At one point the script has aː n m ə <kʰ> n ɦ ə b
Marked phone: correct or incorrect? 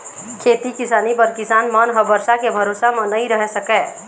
incorrect